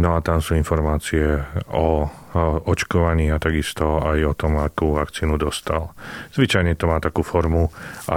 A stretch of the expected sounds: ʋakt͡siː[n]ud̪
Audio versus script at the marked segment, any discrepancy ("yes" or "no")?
no